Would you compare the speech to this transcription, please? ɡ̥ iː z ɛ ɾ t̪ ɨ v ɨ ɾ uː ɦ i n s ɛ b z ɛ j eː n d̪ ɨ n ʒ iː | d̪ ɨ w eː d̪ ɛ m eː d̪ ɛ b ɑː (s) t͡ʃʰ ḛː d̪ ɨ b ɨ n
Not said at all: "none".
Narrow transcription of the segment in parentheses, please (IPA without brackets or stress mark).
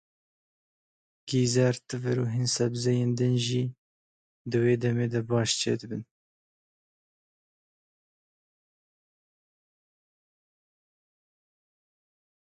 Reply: ʃ